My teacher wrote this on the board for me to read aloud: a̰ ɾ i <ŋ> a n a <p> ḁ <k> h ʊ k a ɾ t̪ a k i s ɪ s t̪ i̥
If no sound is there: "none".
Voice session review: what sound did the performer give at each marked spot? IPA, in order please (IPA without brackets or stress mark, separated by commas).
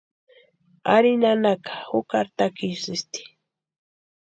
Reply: n, k, none